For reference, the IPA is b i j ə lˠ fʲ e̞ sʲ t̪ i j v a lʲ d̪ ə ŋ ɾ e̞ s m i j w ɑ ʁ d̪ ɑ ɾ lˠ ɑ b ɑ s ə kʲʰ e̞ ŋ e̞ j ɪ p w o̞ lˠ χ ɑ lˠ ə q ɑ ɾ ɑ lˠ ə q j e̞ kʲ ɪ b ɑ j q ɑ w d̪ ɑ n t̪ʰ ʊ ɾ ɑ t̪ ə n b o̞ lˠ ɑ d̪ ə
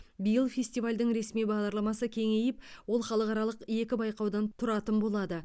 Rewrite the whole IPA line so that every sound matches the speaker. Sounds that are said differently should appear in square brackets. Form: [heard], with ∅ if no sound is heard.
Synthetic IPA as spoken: b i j ə lˠ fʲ e̞ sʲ t̪ i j v a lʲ d̪ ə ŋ ɾ e̞ s m i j [b] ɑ ʁ d̪ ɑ ɾ lˠ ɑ [m] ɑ s ə kʲʰ e̞ ŋ e̞ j ɪ p w o̞ lˠ χ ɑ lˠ ə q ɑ ɾ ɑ lˠ ə q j e̞ kʲ ɪ b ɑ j q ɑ w d̪ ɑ n t̪ʰ ʊ ɾ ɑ t̪ ə n b o̞ lˠ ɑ d̪ ə